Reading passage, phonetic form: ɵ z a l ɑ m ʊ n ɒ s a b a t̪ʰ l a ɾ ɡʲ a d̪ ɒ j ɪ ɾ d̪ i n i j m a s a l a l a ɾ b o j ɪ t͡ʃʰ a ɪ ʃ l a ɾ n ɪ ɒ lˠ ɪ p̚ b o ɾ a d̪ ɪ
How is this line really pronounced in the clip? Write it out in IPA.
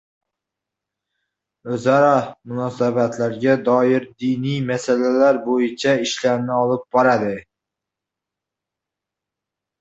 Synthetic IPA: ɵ z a ɾ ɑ m ʊ n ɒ s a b a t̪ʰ l a ɾ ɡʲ a d̪ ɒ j ɪ ɾ d̪ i n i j m a s a l a l a ɾ b o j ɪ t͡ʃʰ a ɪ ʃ l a ɾ n ɪ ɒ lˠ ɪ p̚ b ɒ ɾ a d̪ ɪ